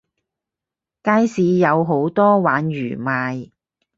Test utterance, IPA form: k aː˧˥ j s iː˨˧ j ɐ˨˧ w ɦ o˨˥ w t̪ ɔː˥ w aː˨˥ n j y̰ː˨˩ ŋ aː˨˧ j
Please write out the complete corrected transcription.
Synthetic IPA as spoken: k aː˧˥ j s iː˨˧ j ɐ˨˧ w ɦ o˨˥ w t̪ ɔː˥ w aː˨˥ n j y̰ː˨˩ m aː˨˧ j